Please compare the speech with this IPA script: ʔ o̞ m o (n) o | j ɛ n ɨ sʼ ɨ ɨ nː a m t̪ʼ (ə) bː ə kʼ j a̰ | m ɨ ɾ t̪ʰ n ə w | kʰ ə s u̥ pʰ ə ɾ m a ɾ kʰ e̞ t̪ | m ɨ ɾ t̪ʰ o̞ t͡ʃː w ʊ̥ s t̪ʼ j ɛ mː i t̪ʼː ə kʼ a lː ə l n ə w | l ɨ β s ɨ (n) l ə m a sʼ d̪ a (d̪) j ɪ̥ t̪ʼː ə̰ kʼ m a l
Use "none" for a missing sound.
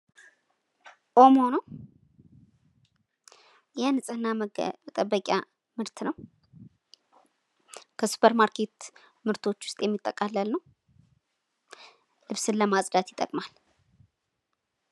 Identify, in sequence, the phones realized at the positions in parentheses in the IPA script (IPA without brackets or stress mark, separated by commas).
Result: n, ə, n, t̪